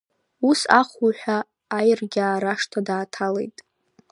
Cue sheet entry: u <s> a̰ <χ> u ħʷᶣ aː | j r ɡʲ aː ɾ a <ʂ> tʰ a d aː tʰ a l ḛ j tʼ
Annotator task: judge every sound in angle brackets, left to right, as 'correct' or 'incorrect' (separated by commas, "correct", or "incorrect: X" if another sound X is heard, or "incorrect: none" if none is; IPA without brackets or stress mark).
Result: correct, correct, correct